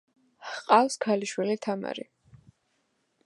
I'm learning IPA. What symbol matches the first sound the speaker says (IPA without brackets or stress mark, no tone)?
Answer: qʼ